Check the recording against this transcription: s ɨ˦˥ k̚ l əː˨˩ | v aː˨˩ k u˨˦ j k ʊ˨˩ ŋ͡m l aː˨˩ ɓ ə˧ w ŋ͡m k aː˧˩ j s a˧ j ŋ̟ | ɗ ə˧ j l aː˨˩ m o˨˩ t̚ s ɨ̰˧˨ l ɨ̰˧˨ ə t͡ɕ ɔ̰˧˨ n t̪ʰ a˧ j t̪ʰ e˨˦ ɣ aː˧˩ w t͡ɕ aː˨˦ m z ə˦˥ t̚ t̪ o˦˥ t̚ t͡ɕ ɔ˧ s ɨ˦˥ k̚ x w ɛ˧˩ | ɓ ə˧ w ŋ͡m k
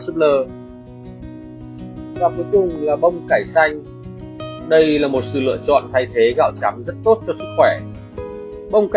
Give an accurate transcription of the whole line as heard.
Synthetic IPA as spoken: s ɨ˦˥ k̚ l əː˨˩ | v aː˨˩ k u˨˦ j k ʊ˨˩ ŋ͡m l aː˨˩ ɓ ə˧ w ŋ͡m k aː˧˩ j s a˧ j ŋ̟ | ɗ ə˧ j l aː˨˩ m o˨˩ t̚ s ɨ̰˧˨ l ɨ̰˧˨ ə t͡ɕ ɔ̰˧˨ n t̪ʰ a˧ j t̪ʰ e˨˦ ɣ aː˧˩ w t͡ɕ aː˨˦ m z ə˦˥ t̚ t̪ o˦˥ t̚ t͡ɕ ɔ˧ s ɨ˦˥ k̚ x w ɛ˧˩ | ɓ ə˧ w ŋ͡m k